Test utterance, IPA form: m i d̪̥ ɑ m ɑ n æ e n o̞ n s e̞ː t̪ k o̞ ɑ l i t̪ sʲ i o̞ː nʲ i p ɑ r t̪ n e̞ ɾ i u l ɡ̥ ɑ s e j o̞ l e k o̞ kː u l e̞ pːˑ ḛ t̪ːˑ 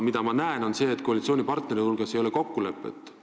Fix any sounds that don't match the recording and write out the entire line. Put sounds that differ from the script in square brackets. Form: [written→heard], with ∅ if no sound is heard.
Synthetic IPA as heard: m i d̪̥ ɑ m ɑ n æ e n o̞ n s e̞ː t̪ k o̞ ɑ l i t̪ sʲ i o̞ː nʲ i p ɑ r t̪ n e̞ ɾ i u l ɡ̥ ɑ s e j o̞ l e k o̞ kː u l e̞ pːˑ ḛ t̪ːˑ